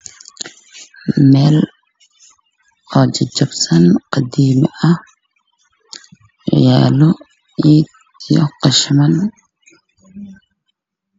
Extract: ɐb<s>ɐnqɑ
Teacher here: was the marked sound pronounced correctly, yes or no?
yes